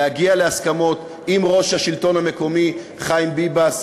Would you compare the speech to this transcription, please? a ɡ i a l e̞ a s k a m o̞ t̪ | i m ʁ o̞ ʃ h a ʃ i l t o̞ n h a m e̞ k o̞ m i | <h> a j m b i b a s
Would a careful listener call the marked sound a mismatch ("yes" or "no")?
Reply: yes